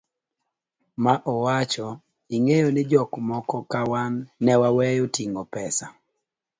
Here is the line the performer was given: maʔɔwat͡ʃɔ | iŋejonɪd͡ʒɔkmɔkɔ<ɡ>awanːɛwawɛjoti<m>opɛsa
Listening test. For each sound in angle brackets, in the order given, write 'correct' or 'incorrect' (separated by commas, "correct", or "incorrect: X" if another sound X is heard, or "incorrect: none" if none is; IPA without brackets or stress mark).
incorrect: k, incorrect: ŋ